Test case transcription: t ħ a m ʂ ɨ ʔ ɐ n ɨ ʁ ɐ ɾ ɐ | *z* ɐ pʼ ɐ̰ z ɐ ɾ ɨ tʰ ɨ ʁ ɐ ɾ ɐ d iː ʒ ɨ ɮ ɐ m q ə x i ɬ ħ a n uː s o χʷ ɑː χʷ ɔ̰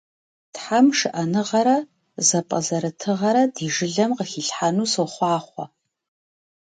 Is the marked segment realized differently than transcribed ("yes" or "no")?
no